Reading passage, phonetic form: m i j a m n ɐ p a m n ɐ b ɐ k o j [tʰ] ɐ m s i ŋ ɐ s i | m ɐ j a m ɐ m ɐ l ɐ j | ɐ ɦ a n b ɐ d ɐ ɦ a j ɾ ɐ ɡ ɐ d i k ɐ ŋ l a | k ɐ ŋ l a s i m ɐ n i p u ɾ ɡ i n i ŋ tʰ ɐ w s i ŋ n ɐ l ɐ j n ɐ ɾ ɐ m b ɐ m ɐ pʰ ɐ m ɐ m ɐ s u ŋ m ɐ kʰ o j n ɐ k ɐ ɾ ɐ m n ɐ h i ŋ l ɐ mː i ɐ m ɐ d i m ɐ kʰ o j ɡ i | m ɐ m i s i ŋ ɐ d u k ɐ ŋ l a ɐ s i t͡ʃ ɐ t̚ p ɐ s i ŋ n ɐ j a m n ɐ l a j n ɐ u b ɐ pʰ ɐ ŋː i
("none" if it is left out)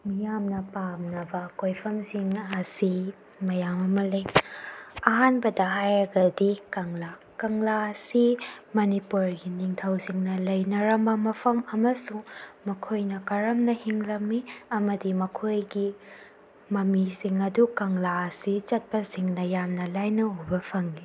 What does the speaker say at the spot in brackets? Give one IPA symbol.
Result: pʰ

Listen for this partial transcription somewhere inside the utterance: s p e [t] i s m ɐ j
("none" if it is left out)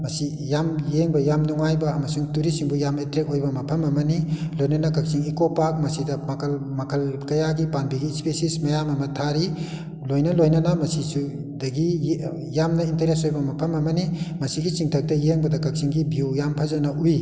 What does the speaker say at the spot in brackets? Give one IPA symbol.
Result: s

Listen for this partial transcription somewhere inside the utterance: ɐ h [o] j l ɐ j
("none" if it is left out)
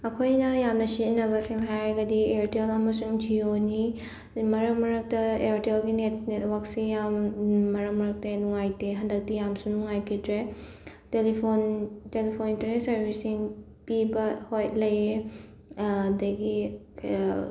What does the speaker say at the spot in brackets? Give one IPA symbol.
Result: o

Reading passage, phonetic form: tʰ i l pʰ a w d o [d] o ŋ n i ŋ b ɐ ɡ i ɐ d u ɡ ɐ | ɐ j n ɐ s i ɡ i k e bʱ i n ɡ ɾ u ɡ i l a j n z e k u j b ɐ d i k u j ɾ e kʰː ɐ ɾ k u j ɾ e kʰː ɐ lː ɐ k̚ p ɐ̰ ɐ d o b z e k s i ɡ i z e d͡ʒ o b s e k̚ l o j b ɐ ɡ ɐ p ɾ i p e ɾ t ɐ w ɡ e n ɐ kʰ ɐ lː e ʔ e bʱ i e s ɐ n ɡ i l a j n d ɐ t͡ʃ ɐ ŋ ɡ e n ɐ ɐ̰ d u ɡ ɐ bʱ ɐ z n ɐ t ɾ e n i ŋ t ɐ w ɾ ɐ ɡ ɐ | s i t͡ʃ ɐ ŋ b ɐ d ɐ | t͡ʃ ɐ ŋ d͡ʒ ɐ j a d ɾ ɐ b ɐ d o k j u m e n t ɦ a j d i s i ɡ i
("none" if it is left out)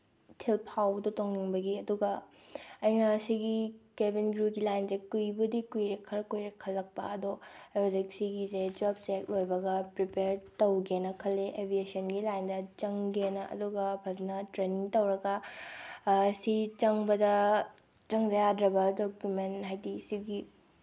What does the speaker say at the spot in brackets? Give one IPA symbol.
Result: t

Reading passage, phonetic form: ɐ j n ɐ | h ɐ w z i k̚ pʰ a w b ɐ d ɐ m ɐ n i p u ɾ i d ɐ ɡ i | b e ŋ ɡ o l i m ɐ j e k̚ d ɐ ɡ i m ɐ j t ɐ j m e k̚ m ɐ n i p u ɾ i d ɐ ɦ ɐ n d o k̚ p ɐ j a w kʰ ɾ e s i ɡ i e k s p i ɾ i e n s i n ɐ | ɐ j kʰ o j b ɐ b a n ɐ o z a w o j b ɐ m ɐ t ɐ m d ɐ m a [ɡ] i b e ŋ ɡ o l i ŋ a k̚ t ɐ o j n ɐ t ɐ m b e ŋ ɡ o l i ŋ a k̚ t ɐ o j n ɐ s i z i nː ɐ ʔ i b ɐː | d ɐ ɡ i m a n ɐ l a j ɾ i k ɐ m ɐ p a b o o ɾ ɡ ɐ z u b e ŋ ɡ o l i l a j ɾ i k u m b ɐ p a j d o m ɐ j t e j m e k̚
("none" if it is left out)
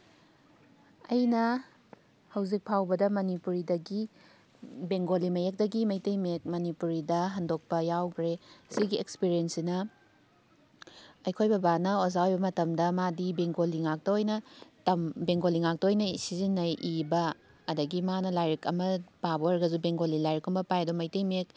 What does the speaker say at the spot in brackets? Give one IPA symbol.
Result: d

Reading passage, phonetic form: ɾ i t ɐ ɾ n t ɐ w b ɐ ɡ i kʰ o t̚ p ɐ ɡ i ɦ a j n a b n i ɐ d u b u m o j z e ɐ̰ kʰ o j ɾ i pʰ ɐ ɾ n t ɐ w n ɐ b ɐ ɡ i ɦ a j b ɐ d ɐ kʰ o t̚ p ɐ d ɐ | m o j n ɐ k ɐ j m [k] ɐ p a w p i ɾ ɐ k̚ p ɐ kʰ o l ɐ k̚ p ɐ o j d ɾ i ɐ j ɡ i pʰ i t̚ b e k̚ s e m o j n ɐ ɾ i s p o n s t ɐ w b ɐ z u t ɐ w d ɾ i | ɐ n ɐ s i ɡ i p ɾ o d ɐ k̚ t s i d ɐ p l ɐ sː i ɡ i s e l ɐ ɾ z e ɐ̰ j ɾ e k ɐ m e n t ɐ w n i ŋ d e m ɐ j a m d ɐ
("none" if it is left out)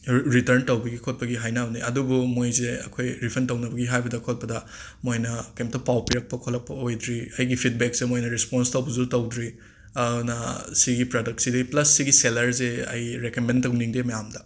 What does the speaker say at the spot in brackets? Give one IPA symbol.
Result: t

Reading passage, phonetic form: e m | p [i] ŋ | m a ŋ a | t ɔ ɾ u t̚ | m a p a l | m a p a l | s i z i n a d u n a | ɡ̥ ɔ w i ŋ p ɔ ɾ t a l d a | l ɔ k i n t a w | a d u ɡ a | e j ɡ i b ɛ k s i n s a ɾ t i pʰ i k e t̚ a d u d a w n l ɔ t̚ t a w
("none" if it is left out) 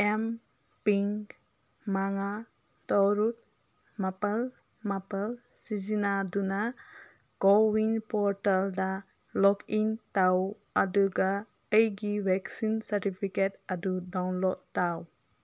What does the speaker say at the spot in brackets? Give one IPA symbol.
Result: i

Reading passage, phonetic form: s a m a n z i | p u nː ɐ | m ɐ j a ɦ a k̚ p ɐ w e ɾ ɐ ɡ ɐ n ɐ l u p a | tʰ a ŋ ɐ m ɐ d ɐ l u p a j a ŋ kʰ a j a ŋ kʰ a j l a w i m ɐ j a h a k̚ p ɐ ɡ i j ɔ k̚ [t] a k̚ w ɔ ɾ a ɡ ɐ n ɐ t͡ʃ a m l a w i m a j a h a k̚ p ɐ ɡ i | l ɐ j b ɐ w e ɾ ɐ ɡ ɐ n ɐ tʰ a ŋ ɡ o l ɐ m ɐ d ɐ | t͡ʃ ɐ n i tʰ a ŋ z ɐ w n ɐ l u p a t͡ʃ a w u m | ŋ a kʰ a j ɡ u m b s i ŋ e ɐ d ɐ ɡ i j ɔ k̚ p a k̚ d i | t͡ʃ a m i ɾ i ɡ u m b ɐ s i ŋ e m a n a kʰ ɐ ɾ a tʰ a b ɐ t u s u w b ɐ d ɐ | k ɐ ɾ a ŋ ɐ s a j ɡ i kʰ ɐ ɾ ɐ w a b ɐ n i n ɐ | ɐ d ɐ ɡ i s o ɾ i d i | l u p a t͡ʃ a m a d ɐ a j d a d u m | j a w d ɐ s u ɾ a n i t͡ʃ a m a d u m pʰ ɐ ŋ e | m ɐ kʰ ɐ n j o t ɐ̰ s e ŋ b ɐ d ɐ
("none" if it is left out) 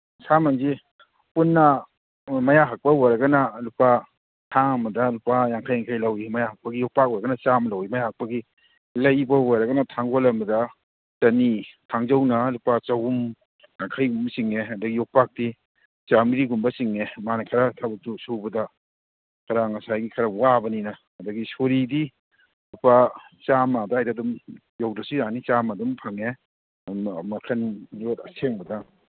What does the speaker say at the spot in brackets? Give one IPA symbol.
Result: p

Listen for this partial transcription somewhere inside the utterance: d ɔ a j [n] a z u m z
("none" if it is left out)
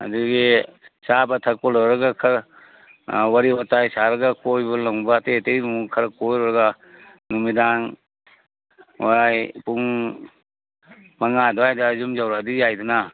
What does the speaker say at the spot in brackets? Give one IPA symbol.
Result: d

